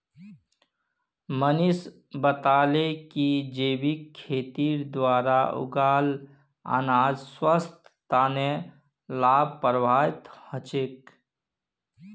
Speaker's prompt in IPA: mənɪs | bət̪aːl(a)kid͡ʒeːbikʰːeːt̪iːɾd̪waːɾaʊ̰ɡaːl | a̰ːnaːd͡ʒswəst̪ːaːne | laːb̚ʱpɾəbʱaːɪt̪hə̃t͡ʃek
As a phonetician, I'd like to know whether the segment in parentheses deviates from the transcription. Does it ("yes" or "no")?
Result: yes